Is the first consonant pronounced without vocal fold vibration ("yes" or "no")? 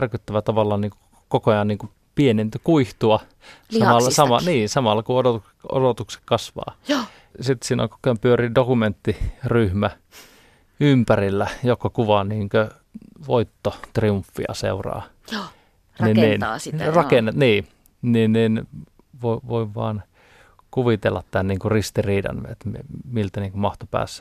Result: no